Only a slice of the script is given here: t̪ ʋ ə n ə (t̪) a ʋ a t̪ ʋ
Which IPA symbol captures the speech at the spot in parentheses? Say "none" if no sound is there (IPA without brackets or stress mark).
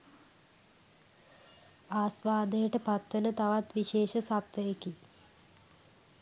t̪